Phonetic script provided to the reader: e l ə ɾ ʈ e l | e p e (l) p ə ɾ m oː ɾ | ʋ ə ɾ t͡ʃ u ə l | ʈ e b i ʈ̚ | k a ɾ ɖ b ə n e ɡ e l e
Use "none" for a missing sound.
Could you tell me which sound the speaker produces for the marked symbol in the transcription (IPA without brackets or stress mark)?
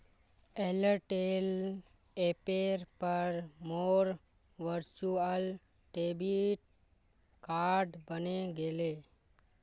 ɾ